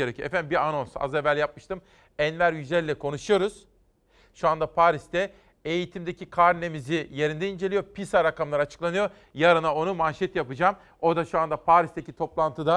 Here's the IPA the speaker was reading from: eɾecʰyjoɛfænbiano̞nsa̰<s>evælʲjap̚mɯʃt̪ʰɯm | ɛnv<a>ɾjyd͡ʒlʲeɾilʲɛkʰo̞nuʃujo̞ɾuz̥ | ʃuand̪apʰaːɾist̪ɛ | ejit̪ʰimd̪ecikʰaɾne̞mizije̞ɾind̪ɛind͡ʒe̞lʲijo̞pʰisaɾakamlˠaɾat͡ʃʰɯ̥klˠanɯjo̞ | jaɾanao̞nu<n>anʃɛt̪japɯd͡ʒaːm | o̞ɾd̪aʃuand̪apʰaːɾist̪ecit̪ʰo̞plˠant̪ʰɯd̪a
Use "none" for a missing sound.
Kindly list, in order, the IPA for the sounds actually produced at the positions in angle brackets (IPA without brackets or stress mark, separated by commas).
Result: z, æ, m